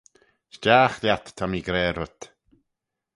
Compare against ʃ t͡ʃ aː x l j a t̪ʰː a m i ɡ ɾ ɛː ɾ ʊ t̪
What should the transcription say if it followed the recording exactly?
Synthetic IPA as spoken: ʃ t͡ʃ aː x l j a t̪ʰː a m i ɡ ɾ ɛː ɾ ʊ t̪